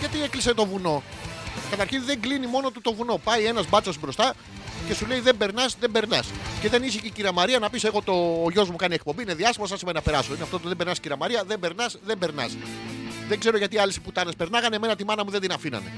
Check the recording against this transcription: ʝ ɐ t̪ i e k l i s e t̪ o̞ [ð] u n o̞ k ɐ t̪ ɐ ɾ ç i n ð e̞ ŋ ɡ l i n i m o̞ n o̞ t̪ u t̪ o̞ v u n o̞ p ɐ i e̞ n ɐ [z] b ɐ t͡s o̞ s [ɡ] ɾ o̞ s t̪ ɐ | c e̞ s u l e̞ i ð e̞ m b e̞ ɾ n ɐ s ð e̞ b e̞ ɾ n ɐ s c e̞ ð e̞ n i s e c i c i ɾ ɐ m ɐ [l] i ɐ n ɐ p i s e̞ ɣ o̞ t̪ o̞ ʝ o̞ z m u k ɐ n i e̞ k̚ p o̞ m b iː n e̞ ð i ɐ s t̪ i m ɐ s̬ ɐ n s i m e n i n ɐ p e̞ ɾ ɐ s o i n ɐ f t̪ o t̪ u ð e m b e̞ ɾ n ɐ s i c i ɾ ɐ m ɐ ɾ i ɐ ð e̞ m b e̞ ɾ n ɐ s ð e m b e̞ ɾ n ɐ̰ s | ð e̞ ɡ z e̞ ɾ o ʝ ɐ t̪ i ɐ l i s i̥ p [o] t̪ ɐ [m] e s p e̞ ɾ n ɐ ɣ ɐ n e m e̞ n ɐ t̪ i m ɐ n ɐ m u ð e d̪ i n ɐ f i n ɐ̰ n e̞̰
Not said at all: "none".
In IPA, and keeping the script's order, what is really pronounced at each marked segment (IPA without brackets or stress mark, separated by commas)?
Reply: v, z, b, ɾ, u, n